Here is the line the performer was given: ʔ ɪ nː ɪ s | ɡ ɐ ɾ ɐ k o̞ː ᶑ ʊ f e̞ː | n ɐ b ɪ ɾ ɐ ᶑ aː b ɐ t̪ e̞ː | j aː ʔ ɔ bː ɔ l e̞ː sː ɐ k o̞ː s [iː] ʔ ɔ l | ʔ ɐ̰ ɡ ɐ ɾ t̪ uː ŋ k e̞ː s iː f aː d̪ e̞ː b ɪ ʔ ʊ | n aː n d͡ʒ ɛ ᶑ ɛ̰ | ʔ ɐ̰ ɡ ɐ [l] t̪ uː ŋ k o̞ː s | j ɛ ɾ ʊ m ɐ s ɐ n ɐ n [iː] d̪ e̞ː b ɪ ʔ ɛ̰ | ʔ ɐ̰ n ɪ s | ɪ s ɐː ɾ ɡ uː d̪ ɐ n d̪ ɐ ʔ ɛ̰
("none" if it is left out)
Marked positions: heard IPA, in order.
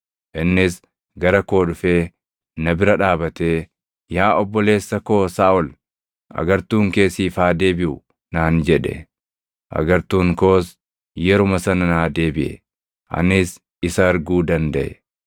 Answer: aː, ɾ, aː

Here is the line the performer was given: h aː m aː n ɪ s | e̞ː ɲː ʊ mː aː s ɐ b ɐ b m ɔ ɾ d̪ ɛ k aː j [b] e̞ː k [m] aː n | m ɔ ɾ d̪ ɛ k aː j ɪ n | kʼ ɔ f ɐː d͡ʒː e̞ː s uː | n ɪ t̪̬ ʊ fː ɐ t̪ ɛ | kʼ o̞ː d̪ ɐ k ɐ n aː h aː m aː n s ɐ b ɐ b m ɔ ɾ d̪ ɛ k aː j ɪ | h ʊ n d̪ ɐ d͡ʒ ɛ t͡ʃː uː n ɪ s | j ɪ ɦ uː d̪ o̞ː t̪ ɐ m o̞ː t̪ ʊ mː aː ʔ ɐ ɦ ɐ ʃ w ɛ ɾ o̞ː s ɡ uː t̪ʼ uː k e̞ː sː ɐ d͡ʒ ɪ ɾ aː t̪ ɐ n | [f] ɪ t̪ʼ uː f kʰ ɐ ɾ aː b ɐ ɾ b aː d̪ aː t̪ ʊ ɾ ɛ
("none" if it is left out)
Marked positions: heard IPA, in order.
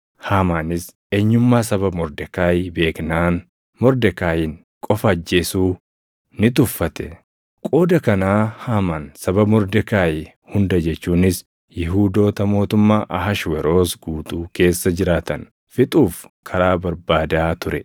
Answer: b, n, f

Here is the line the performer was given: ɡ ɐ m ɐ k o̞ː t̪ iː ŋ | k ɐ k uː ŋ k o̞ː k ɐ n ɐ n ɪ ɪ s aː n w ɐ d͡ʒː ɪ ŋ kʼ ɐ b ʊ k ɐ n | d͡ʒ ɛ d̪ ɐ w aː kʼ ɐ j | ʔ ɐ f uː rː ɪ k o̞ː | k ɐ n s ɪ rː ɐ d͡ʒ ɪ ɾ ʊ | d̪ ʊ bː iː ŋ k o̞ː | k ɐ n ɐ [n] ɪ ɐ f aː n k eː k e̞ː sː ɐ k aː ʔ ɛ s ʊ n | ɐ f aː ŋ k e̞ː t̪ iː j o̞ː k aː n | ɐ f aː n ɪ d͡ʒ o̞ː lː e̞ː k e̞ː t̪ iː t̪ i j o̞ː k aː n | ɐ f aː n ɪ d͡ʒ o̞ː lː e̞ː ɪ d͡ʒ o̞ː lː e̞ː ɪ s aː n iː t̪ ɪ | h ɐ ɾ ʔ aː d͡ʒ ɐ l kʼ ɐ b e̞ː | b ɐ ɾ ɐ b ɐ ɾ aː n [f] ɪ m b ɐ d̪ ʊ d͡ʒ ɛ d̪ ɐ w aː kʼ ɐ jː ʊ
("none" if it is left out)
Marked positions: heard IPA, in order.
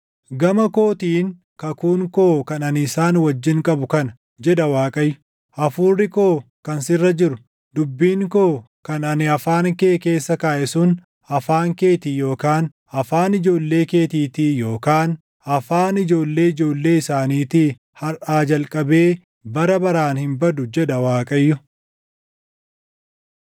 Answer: n, h

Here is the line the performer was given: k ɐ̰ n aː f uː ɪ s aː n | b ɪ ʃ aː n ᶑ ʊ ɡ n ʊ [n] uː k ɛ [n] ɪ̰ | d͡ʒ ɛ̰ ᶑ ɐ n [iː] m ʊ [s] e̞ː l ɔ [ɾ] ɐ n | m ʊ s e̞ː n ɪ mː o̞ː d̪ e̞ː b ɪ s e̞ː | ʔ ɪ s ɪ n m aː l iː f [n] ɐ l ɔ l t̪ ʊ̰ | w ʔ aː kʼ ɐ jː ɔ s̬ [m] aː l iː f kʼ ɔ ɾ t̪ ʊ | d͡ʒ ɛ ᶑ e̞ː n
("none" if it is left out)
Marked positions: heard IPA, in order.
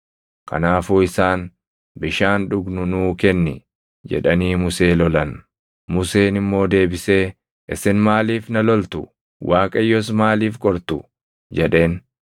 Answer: n, nː, iː, s, l, n, m

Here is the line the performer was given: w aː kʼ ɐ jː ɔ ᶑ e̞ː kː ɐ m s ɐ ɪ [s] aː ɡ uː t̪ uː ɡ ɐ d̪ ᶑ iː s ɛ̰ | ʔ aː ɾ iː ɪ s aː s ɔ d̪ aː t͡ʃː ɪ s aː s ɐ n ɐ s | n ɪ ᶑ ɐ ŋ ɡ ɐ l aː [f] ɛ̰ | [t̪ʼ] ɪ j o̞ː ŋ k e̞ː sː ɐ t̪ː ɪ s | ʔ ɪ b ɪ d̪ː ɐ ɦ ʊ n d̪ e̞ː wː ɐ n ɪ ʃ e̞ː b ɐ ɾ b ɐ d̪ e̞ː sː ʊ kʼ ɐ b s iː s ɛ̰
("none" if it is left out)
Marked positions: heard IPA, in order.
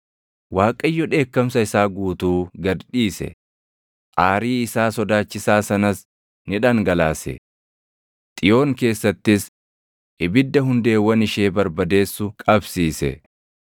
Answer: s, s, t̪ʼ

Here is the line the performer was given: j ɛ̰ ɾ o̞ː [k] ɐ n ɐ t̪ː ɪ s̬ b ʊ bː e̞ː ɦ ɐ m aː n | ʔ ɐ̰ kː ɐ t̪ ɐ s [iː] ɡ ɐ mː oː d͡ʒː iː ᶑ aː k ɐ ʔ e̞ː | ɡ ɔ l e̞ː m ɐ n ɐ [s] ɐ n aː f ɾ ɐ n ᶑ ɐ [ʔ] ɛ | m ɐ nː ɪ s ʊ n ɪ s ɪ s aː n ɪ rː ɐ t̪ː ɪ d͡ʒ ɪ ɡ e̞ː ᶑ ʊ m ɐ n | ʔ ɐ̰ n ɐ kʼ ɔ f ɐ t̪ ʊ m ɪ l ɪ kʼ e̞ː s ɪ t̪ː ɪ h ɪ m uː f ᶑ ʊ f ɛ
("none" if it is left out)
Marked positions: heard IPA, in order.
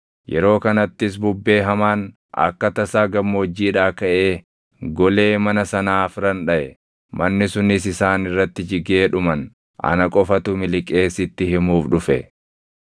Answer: k, aː, s, ʔ

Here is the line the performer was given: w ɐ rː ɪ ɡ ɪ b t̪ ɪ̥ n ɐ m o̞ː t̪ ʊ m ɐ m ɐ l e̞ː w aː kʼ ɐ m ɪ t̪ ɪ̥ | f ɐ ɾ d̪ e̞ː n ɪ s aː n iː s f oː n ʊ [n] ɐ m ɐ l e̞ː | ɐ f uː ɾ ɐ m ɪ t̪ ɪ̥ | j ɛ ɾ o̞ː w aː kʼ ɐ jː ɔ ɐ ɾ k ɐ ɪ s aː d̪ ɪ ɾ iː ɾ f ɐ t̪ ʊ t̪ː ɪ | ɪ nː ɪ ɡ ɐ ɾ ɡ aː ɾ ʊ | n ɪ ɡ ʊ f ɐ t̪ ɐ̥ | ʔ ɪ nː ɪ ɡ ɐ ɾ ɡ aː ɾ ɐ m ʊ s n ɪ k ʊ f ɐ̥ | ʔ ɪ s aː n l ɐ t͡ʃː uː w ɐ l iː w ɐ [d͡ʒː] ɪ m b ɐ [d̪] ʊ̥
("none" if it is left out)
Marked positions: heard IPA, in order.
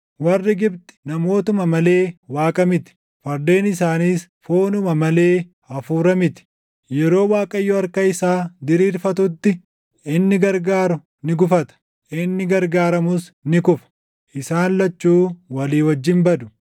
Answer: m, d͡ʒː, d̪

